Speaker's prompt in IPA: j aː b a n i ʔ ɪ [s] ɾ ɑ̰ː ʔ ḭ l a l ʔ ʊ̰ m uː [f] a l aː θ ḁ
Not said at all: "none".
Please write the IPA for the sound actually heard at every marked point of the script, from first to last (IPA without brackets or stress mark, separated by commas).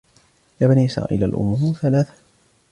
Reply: s, θ